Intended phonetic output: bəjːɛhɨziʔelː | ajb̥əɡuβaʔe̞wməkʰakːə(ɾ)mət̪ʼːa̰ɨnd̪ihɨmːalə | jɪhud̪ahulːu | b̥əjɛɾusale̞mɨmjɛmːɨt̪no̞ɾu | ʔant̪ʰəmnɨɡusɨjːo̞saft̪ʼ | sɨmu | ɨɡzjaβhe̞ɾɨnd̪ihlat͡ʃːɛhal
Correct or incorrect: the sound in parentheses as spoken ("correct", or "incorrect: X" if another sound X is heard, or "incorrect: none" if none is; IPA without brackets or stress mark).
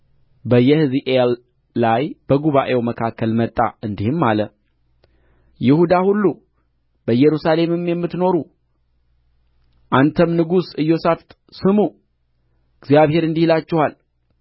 incorrect: l